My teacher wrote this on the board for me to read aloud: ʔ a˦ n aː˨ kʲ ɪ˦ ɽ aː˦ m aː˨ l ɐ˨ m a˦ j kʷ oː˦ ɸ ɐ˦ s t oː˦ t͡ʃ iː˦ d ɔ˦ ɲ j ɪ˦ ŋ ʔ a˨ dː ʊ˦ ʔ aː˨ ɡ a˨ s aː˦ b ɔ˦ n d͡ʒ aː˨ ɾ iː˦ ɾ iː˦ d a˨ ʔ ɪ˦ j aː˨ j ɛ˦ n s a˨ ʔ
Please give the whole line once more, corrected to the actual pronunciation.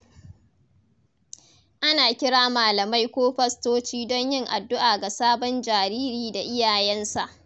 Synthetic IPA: ʔ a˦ n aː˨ kʲ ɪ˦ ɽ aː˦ m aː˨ l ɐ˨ m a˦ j kʷ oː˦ ɸ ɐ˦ s t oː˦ t͡ʃ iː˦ d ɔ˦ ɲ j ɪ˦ ŋ ʔ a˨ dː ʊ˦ ʔ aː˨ ɡ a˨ s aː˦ b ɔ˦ n d͡ʒ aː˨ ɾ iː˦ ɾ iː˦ d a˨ ʔ ɪ˦ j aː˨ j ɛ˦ n s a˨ ʔ